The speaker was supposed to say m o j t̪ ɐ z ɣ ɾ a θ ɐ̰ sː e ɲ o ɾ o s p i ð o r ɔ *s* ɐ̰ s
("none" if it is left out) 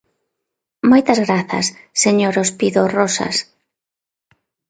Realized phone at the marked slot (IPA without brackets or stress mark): s